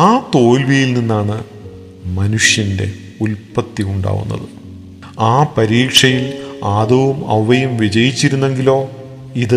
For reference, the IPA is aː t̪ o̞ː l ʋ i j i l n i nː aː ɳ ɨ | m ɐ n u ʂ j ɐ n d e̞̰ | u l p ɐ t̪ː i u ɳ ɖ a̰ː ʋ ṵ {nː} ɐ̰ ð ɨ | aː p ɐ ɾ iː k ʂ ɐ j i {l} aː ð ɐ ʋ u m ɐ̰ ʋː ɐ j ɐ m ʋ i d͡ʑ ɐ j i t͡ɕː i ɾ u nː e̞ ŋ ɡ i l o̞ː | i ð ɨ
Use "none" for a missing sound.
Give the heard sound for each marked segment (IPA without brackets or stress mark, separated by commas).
nː, l